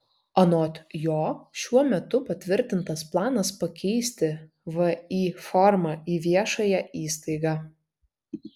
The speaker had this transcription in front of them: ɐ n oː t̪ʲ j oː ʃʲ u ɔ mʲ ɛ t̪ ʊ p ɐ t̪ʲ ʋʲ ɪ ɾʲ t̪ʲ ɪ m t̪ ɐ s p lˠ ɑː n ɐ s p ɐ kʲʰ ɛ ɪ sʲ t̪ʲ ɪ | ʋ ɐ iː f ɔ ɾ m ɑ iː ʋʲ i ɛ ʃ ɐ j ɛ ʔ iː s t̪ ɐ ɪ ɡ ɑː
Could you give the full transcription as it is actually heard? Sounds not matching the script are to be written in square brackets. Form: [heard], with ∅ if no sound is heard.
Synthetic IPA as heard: ɐ n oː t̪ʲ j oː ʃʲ u ɔ mʲ ɛ t̪ ʊ p ɐ t̪ʲ ʋʲ ɪ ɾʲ t̪ʲ ɪ [n] t̪ ɐ s p lˠ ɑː n ɐ s p ɐ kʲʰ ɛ ɪ sʲ t̪ʲ ɪ | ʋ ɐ iː f ɔ ɾ m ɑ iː ʋʲ i ɛ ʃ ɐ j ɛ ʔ iː s t̪ ɐ ɪ ɡ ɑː